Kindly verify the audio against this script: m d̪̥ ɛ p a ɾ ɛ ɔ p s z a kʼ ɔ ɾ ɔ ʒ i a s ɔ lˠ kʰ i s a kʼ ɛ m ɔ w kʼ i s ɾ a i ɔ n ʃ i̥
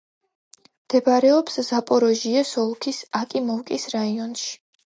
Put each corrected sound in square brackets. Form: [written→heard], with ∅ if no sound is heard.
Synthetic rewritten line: m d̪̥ ɛ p a ɾ ɛ ɔ p s z a [kʼ→pʼ] ɔ ɾ ɔ ʒ i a s ɔ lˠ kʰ i s a kʼ [ɛ→i] m ɔ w kʼ i s ɾ a i ɔ n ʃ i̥